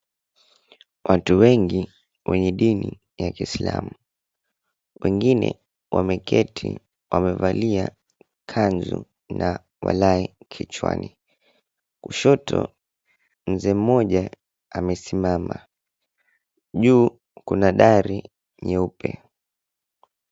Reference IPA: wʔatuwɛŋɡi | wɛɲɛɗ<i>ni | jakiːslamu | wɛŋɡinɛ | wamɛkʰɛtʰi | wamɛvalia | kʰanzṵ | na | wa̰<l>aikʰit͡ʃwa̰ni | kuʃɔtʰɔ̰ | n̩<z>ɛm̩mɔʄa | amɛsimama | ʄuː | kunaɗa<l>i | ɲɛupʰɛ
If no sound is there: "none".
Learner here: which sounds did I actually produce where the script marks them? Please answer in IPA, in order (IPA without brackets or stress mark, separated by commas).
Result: i, l, z, ɾ